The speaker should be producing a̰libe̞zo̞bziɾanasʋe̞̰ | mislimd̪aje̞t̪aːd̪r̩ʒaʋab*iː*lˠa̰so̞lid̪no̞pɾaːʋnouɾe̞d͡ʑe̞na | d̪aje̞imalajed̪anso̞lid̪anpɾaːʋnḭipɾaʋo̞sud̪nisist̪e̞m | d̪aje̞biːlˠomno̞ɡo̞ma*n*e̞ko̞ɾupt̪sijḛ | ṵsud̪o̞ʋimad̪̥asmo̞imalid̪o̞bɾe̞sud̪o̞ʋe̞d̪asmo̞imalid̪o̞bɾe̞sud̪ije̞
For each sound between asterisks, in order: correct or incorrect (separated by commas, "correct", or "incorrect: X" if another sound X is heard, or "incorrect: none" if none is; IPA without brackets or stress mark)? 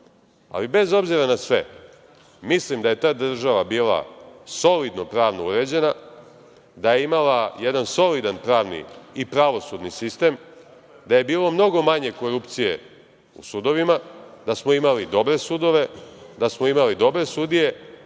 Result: correct, incorrect: ɲ